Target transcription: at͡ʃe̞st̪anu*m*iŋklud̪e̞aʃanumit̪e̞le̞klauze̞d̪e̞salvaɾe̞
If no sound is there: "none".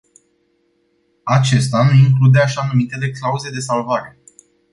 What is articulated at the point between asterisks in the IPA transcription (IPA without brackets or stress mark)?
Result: none